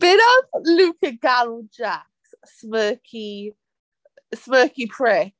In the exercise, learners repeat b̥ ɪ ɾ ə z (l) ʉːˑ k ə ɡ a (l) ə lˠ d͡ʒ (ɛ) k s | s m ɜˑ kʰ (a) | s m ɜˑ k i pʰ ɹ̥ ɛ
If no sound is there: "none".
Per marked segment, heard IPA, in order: l, l, a, i

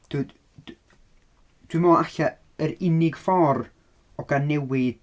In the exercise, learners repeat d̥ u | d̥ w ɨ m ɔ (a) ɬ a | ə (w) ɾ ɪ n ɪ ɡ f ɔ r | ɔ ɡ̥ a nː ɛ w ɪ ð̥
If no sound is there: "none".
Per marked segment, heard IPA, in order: a, none

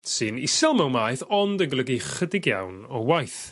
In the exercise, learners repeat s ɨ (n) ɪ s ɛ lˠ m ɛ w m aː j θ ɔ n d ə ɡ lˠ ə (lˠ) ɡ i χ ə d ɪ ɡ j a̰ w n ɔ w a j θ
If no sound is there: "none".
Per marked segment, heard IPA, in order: n, none

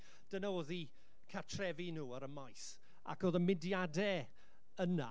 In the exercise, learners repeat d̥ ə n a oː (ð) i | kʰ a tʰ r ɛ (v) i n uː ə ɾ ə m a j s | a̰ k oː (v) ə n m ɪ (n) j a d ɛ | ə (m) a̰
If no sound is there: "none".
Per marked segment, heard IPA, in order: ð, v, ð, d, n

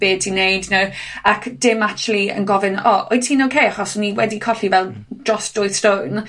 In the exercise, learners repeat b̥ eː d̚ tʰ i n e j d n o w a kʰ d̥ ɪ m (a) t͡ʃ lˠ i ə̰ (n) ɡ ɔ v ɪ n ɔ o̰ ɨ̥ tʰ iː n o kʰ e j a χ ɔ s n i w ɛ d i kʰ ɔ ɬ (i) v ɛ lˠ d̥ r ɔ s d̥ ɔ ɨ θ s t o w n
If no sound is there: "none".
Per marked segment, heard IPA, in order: a, n, i

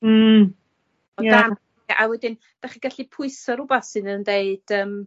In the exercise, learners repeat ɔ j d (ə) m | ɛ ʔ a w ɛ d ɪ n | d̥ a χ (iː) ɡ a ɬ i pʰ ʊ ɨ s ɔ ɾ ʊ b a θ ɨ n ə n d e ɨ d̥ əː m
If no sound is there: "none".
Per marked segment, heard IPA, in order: a, i

